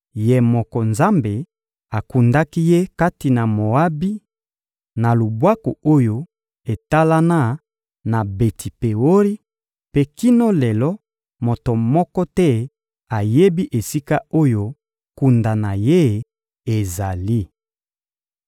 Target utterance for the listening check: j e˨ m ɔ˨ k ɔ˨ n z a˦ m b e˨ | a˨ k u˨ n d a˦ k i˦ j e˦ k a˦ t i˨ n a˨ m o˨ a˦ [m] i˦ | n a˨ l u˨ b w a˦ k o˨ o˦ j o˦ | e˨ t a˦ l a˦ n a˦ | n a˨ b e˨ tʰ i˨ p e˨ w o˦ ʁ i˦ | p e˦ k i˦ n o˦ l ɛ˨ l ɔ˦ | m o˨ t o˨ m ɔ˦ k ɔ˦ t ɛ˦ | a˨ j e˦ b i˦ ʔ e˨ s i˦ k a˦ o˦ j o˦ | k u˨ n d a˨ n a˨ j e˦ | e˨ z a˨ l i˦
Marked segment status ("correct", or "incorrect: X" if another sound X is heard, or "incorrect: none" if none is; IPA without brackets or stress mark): incorrect: b